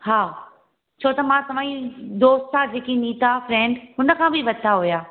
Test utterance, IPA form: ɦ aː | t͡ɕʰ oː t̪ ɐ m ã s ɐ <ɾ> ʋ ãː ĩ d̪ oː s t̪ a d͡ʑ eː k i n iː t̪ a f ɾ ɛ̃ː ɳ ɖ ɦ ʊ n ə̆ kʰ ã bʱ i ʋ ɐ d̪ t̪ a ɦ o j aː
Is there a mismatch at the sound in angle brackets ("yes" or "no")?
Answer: yes